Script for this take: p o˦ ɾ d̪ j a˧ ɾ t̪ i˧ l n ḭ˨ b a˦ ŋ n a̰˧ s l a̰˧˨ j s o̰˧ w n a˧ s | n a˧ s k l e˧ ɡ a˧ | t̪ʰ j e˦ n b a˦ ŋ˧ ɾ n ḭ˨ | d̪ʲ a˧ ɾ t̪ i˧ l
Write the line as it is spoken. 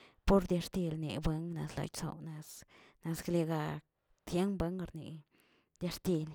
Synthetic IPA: p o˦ ɾ d̪ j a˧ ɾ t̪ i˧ l n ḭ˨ b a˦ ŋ n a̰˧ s l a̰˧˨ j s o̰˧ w n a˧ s | n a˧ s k l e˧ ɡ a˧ | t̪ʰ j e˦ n b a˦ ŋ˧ ɾ n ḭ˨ | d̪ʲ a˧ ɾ t̪ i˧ l